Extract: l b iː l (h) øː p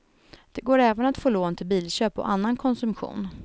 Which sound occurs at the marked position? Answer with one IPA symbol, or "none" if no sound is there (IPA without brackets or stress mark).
ɕ